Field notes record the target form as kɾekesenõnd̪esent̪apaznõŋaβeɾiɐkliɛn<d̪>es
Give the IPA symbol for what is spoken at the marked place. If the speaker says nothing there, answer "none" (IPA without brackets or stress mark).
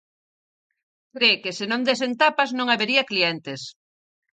t̪